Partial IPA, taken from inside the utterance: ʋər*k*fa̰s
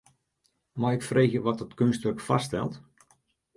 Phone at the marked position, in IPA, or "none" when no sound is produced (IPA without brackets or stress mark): k